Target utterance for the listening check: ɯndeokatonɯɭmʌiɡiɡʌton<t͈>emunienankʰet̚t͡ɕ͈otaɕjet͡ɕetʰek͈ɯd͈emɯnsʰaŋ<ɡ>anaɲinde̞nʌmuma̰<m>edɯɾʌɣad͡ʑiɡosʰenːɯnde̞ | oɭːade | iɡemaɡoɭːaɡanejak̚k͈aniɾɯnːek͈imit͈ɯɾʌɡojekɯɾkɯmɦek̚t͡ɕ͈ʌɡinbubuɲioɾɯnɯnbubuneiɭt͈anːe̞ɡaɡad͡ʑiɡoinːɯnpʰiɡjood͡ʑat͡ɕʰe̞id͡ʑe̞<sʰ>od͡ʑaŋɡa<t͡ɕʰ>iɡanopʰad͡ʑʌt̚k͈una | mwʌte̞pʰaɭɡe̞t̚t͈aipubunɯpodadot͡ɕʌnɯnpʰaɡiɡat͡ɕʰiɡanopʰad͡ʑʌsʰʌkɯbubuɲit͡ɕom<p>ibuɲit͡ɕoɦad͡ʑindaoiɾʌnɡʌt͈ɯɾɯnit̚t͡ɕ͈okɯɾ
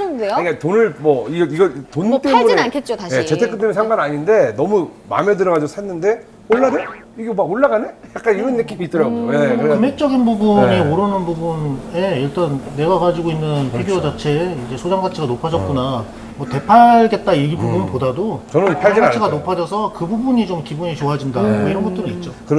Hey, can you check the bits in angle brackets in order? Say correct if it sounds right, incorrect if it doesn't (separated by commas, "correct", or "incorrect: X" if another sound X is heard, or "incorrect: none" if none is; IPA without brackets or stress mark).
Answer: correct, correct, correct, correct, correct, incorrect: k